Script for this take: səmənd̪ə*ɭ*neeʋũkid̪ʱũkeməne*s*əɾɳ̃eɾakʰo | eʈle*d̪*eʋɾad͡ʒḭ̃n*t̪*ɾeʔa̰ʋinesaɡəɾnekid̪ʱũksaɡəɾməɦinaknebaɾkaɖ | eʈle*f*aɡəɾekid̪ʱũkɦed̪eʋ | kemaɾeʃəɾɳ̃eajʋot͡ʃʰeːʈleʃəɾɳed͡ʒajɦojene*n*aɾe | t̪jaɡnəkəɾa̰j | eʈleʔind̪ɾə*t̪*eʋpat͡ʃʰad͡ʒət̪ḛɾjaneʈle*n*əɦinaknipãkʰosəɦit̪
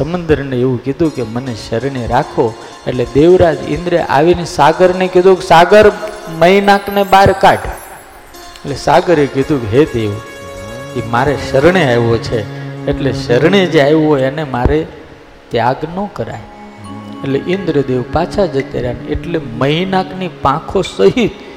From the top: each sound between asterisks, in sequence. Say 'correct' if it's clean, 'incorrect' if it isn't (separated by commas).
incorrect, incorrect, correct, incorrect, incorrect, incorrect, incorrect, incorrect